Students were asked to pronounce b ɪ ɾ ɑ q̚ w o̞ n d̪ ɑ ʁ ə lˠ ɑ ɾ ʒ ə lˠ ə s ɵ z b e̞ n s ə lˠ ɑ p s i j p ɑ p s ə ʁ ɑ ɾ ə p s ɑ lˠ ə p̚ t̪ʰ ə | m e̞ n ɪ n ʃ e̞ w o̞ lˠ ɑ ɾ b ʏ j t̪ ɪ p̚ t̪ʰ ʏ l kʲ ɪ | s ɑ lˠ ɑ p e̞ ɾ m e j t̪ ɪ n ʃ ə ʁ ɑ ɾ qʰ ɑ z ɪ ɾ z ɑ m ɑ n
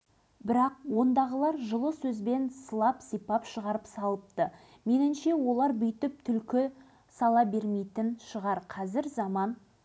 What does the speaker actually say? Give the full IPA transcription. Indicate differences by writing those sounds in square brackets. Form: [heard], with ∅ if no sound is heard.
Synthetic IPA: b ɪ ɾ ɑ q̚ w o̞ n d̪ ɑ ʁ ə lˠ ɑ ɾ ʒ ə lˠ ə s ɵ z b e̞ n s ə lˠ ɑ p s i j p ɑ p [ʃ] ə ʁ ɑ ɾ ə p s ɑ lˠ ə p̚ [t̪] ə | m e̞ n ɪ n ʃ e̞ w o̞ lˠ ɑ ɾ b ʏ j t̪ ɪ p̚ t̪ʰ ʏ l kʲ ɪ | s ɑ lˠ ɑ [b] e̞ ɾ m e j t̪ ɪ n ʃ ə ʁ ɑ ɾ qʰ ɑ z ɪ ɾ z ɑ m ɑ n

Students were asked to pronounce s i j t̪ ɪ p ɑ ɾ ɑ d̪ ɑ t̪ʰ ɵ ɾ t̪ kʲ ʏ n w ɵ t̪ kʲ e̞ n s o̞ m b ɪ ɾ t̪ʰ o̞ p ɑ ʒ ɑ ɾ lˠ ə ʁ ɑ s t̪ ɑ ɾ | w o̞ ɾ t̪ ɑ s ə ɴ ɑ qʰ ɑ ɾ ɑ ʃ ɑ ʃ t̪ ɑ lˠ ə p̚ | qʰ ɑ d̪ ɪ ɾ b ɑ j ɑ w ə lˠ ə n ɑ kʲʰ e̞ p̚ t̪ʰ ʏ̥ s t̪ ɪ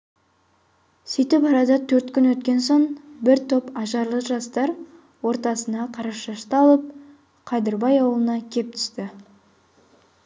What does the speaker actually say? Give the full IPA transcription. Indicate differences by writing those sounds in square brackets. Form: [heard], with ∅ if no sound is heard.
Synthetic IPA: s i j t̪ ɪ p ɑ ɾ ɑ d̪ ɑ t̪ʰ ɵ ɾ t̪ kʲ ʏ n w ɵ t̪ kʲ e̞ n s o̞ [ɴ] b ɪ ɾ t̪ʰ o̞ p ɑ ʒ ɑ ɾ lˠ ə [ʒ] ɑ s t̪ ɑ ɾ | w o̞ ɾ t̪ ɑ s ə [n] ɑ qʰ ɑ ɾ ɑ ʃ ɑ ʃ t̪ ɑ lˠ ə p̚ | qʰ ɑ d̪ ɪ ɾ b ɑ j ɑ w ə lˠ ə n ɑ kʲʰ e̞ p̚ t̪ʰ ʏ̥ s t̪ ɪ

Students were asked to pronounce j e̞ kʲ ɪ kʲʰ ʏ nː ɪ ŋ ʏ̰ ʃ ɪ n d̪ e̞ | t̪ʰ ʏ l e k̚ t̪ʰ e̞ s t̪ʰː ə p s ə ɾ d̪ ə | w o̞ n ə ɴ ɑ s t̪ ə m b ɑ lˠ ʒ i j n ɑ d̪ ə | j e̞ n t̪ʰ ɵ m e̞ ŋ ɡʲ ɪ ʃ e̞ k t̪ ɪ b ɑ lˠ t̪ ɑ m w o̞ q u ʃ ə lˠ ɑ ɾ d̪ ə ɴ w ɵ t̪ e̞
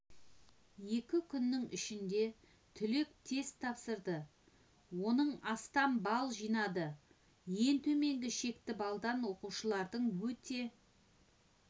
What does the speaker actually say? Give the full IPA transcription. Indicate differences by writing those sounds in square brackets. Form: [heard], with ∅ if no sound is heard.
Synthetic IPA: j e̞ kʲ ɪ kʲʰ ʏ nː ɪ ŋ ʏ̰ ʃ ɪ n d̪ e̞ | t̪ʰ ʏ l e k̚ t̪ʰ e̞ s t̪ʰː [ɑ] p s ə ɾ d̪ ə | w o̞ n ə ɴ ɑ s t̪ [ɑ] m b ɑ lˠ ʒ i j n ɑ d̪ ə | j e̞ n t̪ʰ ɵ m e̞ ŋ ɡʲ ɪ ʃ e̞ k t̪ ɪ b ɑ lˠ [d̪] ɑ [n] w o̞ q u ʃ ə lˠ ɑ ɾ d̪ ə ɴ w ɵ t̪ e̞

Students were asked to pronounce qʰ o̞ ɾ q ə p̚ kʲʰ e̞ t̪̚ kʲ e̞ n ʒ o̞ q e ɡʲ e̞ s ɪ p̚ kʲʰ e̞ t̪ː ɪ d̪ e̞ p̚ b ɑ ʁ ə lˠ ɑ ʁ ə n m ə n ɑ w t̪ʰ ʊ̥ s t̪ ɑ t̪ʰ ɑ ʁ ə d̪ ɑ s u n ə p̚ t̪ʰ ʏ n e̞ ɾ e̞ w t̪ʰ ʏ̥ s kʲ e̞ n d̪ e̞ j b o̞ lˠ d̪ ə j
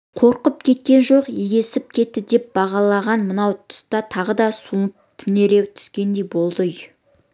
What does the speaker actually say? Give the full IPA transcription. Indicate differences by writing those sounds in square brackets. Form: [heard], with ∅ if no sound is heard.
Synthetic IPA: qʰ o̞ ɾ q ə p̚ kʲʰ e̞ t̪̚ kʲ e̞ n ʒ o̞ q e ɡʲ e̞ s ɪ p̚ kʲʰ e̞ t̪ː ɪ d̪ e̞ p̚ b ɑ ʁ [ɑ] lˠ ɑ ʁ [ɑ] n m ə n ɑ w t̪ʰ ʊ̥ s t̪ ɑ t̪ʰ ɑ ʁ ə d̪ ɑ s u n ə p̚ t̪ʰ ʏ n e̞ ɾ e̞ w t̪ʰ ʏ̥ s kʲ e̞ n d̪ e̞ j b o̞ lˠ d̪ ə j

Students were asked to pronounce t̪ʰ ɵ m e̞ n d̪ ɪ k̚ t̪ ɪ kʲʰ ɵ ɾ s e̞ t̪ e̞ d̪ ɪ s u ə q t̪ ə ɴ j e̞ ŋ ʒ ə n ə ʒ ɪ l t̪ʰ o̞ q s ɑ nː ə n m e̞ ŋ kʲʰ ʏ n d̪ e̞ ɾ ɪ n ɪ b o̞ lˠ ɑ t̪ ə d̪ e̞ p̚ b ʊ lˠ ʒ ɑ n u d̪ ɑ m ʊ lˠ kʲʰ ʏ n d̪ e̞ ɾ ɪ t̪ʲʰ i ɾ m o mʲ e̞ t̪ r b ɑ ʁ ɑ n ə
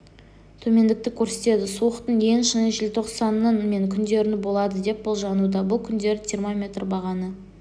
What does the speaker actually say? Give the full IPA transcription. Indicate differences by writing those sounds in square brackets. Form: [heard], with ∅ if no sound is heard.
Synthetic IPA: t̪ʰ ɵ m e̞ n d̪ ɪ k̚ t̪ ɪ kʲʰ ɵ ɾ s e̞ t̪ e̞ d̪ ɪ s u ə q t̪ ə ɴ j e̞ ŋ [ʃ] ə n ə ʒ ɪ l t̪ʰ o̞ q s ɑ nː ə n m e̞ ŋ kʲʰ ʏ n d̪ e̞ ɾ ɪ n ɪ b o̞ lˠ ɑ [d̪] ə d̪ e̞ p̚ b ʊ lˠ ʒ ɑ n u d̪ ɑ [b] ʊ lˠ kʲʰ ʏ n d̪ e̞ ɾ ɪ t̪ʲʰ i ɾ m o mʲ e̞ t̪ r b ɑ ʁ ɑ n ə

